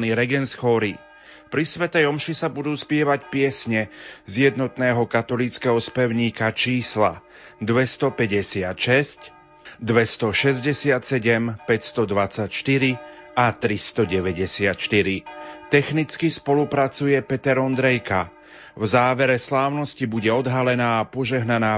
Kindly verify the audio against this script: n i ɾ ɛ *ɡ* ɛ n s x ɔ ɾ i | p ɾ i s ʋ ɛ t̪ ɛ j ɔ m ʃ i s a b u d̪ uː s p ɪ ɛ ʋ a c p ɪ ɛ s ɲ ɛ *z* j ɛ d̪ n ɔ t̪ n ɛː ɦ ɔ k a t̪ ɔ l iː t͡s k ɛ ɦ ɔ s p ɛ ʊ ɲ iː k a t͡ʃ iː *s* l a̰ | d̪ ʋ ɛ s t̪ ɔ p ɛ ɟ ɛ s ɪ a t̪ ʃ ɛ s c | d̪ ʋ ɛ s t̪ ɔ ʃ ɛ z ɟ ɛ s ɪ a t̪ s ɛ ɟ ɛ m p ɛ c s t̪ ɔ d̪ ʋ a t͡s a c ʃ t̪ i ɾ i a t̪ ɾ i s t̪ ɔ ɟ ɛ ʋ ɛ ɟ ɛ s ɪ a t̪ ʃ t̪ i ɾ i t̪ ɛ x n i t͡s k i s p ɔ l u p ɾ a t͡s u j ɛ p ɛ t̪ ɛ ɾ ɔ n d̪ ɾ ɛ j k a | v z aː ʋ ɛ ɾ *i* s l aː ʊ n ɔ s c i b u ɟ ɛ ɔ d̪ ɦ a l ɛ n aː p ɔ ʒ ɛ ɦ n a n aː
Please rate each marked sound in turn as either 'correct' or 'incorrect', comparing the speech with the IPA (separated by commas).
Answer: correct, correct, correct, incorrect